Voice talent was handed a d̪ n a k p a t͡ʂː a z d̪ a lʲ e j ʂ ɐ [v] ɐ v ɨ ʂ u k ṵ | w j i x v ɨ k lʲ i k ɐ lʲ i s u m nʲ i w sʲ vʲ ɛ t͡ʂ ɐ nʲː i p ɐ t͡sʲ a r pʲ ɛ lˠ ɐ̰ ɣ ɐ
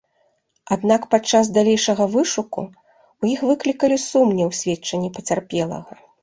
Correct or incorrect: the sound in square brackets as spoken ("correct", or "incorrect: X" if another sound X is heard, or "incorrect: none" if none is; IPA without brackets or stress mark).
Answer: incorrect: ɣ